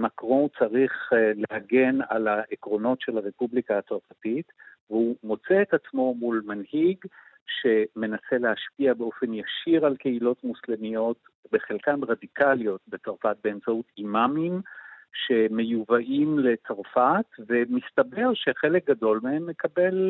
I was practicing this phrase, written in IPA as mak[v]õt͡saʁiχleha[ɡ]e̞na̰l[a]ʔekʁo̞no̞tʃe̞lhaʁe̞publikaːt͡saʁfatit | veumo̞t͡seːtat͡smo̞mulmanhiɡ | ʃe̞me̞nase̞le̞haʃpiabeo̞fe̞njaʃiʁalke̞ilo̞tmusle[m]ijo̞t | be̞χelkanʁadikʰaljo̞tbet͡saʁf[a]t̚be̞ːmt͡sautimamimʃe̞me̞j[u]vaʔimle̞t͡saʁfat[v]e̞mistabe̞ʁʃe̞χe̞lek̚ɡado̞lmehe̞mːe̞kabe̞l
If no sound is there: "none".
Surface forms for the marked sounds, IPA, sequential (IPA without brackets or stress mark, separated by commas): ʁ, ɡ, a, m, a, u, v